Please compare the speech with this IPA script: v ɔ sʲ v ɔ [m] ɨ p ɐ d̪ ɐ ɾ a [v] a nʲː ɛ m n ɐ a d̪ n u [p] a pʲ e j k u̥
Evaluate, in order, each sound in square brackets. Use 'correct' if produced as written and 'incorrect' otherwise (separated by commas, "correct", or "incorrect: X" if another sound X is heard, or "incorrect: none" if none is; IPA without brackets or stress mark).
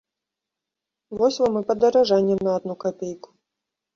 correct, incorrect: ʐ, incorrect: k